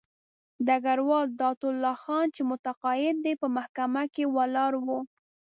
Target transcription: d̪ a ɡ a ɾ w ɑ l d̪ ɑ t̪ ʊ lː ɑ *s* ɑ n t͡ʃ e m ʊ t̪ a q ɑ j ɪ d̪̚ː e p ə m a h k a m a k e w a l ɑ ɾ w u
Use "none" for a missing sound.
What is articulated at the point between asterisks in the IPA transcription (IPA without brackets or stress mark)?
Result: x